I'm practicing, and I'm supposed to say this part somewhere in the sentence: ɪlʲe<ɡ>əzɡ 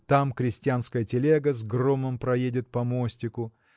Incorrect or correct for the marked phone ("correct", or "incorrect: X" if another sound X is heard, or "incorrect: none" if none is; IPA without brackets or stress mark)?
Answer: correct